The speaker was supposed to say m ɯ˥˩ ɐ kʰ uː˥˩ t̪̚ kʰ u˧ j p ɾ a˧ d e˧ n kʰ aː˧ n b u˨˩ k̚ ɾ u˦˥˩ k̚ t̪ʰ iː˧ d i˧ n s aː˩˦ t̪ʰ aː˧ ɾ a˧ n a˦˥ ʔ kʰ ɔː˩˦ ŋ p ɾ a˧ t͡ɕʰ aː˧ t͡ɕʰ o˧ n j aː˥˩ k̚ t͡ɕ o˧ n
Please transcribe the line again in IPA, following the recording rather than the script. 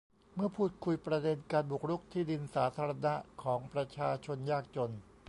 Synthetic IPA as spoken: m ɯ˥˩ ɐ pʰ uː˥˩ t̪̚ kʰ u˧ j p ɾ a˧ d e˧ n k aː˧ n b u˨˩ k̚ ɾ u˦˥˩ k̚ t̪ʰ iː˥˩ d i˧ n s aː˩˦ t̪ʰ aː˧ ɾ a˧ n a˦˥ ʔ kʰ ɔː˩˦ ŋ p ɾ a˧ t͡ɕʰ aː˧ t͡ɕʰ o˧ n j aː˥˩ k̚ t͡ɕ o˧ n